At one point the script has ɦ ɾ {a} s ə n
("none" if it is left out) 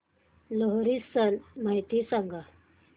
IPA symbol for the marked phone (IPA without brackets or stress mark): i